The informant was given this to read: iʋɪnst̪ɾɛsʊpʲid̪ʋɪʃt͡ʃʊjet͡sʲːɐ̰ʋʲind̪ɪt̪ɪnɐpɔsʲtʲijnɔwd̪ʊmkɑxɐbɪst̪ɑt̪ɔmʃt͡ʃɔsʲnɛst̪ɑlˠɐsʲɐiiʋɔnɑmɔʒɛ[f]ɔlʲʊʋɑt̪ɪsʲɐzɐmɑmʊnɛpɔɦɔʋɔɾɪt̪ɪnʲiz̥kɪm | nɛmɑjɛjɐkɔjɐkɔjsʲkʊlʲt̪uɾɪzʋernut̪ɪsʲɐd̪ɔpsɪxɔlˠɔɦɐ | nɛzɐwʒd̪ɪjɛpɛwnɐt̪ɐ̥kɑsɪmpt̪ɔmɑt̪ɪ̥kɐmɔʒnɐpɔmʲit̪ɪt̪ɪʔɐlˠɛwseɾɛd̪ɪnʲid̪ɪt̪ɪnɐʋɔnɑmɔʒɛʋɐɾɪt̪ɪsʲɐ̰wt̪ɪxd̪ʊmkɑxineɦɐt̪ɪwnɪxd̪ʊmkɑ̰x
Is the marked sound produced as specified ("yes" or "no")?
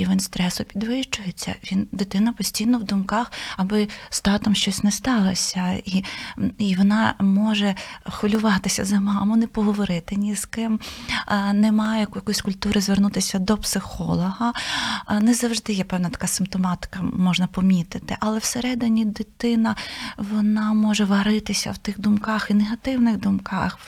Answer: no